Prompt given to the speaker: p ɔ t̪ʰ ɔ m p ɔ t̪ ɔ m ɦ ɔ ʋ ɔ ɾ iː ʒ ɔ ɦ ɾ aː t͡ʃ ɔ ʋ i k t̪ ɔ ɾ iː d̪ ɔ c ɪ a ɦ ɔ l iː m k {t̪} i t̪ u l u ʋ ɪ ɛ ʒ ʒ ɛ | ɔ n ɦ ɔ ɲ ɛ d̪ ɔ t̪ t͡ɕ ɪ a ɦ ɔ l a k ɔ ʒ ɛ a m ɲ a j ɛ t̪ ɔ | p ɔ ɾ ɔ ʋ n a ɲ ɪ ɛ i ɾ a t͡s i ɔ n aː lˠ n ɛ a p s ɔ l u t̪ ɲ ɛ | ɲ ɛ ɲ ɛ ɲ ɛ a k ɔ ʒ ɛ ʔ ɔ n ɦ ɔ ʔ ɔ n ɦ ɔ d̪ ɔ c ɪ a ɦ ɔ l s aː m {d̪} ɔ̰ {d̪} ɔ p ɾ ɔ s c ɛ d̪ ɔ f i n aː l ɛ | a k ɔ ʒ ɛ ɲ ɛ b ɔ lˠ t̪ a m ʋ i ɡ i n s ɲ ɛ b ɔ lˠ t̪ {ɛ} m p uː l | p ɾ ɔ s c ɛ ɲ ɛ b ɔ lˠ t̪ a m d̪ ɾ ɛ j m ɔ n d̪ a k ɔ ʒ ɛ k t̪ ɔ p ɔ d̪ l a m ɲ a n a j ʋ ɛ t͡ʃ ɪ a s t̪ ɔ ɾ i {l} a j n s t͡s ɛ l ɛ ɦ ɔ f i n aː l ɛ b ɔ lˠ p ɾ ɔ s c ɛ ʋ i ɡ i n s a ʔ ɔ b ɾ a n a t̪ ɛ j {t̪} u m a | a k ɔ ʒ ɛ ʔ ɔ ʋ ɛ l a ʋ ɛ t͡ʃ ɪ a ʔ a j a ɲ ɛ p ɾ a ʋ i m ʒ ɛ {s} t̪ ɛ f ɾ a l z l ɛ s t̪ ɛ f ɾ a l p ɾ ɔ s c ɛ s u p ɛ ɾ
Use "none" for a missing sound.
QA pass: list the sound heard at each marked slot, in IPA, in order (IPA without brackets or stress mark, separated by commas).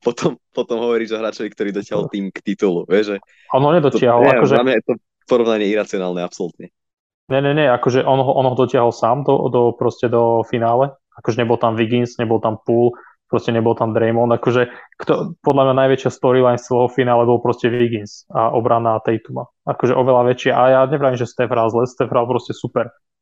t̪, d̪, d̪, a, l, t̪, s